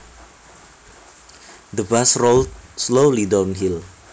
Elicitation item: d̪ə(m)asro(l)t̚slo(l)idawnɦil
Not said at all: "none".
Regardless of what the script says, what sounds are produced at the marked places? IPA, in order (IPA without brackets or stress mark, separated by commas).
b, l, l